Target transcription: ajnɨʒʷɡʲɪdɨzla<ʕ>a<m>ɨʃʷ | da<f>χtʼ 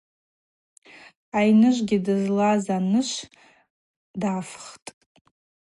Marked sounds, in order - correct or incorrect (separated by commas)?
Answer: incorrect, incorrect, correct